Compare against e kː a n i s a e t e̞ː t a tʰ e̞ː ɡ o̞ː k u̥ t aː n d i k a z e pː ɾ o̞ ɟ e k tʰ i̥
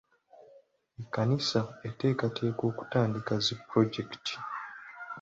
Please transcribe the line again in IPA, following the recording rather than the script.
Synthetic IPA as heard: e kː a n i s a e t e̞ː k a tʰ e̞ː k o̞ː k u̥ t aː n d i k a z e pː ɾ o̞ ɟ e k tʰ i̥